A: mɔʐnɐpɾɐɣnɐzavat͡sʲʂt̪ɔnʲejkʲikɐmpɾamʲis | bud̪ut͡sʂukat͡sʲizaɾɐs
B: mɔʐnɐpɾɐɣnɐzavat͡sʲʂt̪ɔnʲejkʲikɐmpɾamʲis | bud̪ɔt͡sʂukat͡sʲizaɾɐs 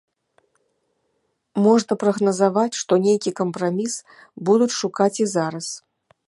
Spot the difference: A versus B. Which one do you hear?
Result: A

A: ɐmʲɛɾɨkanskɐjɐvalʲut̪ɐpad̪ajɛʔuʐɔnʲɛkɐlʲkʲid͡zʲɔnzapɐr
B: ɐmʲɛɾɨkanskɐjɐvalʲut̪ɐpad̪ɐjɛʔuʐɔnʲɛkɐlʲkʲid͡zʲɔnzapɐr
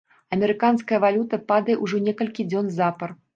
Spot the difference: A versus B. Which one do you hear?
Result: B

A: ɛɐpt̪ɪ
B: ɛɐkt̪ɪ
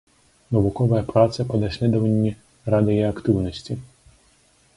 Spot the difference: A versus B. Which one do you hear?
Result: B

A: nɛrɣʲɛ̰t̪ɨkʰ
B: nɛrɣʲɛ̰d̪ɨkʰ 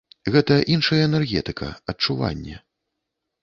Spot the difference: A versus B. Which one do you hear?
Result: A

